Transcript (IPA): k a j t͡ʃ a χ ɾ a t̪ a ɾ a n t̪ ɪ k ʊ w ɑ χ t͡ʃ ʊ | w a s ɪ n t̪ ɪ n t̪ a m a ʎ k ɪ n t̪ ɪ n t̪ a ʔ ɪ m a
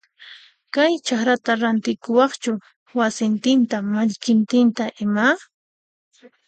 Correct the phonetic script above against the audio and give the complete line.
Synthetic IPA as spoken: k a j t͡ʃ a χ ɾ a t̪ a ɾ a n t̪ ɪ k ʊ w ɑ χ t͡ʃ ʊ | w a s ɪ n t̪ ɪ n t̪ a m a ʎ k ɪ n t̪ ɪ n t̪ a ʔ ɪ m a

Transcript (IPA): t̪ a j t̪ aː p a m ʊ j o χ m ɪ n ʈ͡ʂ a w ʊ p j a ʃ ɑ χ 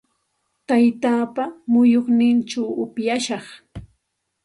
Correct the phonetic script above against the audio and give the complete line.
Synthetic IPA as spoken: t̪ a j t̪ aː p a m ʊ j o χ n ɪ n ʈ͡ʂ a w ʊ p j a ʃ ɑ χ

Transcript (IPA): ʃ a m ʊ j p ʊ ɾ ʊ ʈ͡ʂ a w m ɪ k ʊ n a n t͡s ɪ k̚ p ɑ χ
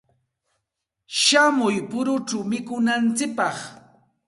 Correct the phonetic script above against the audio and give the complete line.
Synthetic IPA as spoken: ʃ a m ʊ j p ʊ ɾ ʊ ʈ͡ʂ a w m ɪ k ʊ n a n t͡s ɪ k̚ p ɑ χ

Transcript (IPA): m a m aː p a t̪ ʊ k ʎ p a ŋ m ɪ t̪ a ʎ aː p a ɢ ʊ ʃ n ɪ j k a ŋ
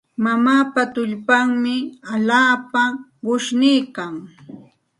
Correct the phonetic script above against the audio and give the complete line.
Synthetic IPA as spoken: m a m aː p a t̪ ʊ ʎ p a ŋ m ɪ a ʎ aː p a ɢ ʊ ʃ n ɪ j k a ŋ

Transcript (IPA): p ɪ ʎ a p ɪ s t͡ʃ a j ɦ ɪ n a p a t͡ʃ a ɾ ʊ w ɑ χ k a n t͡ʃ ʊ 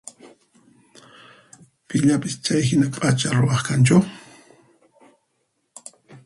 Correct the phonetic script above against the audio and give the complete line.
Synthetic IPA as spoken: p ɪ ʎ a p ɪ s t͡ʃ a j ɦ ɪ n a pʼ a t͡ʃ a ɾ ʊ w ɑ χ k a n t͡ʃ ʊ

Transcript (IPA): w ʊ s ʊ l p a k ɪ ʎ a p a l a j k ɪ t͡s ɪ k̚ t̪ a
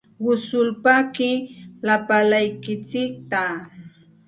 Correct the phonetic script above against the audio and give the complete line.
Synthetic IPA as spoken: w ʊ s ʊ l p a k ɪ l a p a l a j k ɪ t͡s ɪ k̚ t̪ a

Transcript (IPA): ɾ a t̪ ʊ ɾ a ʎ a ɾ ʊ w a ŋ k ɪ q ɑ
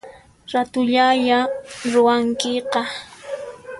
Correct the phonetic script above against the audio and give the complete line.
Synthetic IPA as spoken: ɾ a t̪ ʊ ʎ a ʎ a ɾ ʊ w a ŋ k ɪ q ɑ

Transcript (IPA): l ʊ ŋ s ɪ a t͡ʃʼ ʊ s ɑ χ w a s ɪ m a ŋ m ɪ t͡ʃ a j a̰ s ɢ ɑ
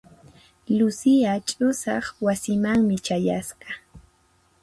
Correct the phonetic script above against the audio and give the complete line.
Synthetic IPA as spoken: l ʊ s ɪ a t͡ʃʼ ʊ s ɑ χ w a s ɪ m a ŋ m ɪ t͡ʃ a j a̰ s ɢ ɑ

